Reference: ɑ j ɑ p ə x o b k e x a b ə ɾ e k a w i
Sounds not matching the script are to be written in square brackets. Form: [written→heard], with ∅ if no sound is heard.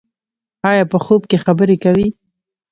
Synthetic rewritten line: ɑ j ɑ p ə x o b k e x a b ə ɾ e k a w i